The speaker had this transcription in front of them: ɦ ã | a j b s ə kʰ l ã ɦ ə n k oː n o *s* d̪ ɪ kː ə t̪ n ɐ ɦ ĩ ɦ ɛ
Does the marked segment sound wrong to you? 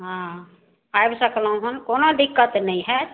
yes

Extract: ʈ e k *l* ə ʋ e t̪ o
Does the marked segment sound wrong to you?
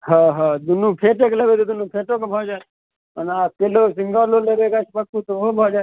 no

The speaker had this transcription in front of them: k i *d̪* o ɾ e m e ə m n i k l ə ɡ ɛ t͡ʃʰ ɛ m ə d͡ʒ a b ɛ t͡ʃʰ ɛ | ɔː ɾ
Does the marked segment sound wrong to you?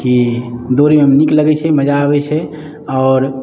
no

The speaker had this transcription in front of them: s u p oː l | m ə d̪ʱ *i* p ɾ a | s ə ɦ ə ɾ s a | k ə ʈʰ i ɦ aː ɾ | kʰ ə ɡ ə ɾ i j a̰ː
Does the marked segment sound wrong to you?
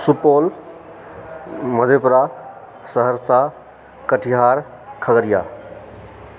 yes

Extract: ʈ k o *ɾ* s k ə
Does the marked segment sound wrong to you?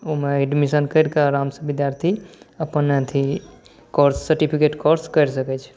no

